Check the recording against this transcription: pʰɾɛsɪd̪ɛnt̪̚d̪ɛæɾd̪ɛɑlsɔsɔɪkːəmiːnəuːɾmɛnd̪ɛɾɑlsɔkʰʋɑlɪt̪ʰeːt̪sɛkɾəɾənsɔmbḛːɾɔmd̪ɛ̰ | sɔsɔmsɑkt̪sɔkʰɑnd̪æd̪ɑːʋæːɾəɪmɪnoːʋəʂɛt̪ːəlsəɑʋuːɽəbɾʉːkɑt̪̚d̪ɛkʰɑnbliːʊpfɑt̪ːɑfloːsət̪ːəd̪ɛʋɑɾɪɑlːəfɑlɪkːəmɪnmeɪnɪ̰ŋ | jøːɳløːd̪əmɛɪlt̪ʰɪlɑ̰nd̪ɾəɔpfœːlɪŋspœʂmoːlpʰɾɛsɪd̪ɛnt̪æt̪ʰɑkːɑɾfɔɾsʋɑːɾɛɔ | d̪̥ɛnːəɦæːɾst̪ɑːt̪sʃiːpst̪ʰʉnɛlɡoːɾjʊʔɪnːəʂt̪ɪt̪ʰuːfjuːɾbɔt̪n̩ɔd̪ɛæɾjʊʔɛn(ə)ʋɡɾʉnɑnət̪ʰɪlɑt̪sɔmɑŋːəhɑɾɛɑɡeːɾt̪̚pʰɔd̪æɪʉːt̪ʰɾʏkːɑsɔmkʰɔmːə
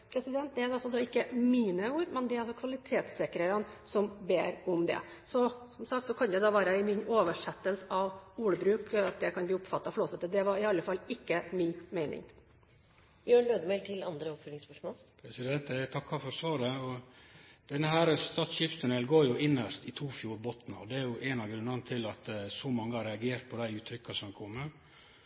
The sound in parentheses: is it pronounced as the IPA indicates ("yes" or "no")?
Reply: no